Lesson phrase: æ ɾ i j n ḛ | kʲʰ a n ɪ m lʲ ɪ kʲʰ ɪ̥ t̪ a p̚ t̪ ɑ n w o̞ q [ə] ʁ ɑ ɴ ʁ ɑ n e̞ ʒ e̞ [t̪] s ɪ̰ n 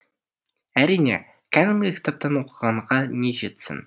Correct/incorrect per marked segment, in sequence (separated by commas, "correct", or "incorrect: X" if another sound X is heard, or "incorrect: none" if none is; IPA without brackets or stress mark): correct, correct